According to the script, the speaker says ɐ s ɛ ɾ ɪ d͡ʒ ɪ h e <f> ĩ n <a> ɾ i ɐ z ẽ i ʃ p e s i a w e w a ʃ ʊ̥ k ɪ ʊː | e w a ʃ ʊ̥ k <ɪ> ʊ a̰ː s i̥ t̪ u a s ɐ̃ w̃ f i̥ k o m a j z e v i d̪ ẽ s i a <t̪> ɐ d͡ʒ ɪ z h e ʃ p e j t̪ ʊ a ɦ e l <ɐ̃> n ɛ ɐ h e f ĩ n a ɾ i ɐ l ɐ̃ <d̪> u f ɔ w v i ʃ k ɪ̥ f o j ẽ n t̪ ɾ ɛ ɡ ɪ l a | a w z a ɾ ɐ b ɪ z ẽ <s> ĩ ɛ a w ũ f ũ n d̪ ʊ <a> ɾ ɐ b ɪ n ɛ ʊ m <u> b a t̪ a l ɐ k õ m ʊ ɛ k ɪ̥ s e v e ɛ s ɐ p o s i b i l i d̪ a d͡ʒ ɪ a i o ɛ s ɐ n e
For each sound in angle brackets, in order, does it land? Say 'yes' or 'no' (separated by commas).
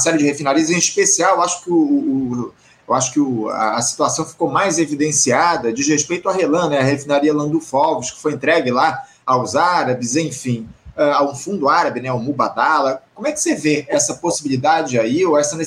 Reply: yes, yes, yes, no, yes, yes, no, yes, yes